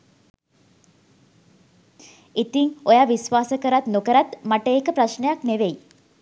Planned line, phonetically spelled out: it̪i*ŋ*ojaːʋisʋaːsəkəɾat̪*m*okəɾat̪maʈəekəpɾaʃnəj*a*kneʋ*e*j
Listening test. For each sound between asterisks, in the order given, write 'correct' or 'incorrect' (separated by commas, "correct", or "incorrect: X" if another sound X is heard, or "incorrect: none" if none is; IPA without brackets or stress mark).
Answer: correct, incorrect: n, correct, correct